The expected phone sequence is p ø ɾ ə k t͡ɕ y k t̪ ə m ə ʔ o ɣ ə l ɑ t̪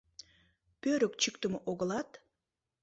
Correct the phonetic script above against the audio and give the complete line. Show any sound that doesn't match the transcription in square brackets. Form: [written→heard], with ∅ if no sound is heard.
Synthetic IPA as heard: p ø ɾ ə k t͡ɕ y k t̪ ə m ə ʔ o ɣ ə l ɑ t̪